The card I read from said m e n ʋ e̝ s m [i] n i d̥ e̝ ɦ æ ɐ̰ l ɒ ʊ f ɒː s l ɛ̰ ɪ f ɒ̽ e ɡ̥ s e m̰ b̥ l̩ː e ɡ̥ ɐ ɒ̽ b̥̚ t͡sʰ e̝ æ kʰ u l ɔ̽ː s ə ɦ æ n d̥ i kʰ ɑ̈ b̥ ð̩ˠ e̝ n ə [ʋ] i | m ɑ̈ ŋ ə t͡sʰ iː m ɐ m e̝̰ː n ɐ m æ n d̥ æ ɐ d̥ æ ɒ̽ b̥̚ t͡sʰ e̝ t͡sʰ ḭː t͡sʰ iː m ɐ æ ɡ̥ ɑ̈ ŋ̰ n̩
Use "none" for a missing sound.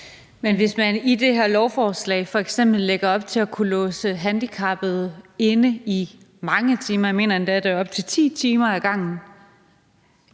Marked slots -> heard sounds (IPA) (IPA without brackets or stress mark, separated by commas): æ, none